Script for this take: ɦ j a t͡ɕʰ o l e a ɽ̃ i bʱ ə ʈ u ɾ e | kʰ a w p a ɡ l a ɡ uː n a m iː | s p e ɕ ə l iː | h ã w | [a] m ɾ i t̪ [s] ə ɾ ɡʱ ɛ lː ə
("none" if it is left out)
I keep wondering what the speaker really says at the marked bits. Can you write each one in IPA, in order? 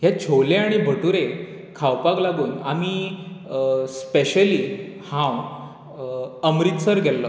ə, s

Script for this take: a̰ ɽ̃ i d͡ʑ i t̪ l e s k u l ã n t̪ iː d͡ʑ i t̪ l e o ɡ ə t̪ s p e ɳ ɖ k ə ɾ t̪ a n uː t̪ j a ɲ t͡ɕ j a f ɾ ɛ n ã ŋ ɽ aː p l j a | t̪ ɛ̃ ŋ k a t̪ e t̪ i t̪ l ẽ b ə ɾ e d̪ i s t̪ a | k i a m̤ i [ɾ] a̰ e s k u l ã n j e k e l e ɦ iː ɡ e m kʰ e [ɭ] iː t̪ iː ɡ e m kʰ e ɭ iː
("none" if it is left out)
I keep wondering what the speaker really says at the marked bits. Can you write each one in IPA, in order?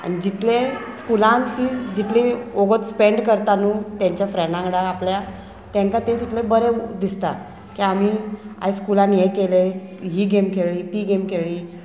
none, ɭ

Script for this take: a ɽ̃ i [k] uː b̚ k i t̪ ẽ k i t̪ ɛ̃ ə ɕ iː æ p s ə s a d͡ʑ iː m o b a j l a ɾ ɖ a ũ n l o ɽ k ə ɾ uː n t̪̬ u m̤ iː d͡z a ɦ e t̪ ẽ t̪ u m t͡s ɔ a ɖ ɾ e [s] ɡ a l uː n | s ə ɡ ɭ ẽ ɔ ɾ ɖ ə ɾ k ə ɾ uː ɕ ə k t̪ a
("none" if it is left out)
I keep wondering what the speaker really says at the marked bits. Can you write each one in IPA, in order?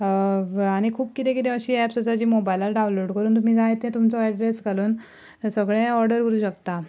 kʰ, s

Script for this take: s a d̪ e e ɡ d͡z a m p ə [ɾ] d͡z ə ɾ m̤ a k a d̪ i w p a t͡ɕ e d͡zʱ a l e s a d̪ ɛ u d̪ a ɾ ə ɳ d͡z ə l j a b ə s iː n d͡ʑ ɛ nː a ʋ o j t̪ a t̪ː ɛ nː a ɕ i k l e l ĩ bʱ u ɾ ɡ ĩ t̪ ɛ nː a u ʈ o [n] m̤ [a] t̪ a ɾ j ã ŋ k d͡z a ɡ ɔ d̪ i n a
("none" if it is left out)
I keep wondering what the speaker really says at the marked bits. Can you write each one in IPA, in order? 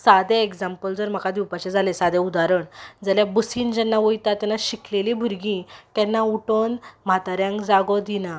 l, n, a

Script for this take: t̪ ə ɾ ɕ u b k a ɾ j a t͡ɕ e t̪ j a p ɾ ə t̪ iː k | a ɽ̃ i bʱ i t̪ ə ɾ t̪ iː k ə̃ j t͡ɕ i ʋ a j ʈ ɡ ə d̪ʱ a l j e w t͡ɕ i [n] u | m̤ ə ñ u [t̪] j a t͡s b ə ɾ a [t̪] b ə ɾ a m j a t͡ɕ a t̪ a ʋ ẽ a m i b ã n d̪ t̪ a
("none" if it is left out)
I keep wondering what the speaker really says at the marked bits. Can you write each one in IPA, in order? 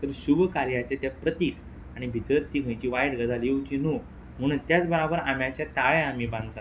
n, t̪, none

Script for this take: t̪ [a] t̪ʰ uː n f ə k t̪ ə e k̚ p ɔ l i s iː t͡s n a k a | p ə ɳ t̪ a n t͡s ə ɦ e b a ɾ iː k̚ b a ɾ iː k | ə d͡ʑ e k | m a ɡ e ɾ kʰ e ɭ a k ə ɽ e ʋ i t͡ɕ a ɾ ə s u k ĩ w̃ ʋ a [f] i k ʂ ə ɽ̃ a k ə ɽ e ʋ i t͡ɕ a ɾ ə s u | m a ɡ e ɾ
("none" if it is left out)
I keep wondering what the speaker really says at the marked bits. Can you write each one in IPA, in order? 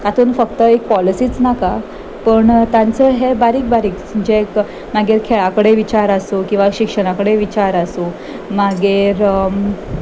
a, ɕ

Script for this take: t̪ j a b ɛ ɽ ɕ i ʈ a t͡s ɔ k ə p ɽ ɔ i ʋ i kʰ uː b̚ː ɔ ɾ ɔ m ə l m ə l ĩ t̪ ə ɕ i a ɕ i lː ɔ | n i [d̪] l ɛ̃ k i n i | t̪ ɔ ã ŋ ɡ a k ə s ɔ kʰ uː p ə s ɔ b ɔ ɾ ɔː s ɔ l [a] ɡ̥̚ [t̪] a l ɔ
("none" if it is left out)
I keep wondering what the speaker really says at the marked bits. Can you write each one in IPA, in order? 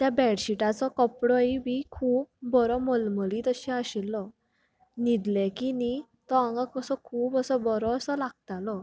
d̪, a, t̪

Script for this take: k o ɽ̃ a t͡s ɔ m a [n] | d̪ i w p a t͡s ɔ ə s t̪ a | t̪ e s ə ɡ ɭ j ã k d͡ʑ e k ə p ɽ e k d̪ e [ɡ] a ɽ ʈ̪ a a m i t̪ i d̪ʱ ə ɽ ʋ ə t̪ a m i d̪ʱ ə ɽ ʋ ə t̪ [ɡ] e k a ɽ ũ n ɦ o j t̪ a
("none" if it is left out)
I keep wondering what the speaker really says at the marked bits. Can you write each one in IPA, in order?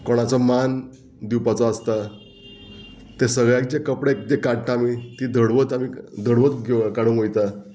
n, k, ɡ

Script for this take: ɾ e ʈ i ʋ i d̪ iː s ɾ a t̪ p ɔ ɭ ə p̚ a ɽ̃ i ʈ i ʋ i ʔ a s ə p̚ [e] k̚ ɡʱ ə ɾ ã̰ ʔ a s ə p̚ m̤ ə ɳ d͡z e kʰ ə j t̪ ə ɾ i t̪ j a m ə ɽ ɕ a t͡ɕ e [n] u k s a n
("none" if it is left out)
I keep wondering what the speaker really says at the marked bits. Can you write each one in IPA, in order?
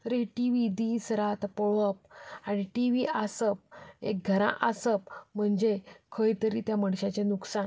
e, n

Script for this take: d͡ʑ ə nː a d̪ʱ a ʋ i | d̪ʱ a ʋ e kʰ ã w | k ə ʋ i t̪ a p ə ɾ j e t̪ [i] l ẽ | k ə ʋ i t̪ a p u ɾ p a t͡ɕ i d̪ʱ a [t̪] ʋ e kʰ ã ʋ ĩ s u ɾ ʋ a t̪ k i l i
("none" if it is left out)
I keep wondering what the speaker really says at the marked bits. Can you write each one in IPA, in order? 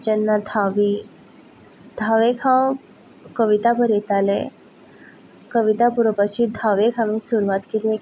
a, none

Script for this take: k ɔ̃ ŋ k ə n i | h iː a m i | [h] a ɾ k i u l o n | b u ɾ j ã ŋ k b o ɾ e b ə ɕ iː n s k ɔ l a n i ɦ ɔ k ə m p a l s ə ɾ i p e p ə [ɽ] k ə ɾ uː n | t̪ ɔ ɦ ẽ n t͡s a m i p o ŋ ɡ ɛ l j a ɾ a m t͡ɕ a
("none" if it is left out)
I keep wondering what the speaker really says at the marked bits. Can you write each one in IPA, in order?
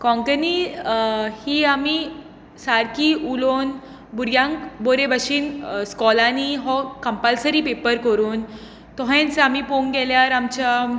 s, ɾ

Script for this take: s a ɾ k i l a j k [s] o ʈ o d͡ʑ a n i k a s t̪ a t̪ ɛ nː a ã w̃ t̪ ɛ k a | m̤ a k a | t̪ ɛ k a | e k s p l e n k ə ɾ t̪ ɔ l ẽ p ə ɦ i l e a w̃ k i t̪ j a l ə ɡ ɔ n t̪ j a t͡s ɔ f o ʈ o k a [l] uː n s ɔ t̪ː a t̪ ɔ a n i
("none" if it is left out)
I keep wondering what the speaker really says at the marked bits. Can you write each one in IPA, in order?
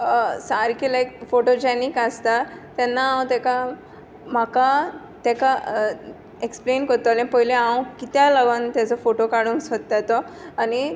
f, ɽ

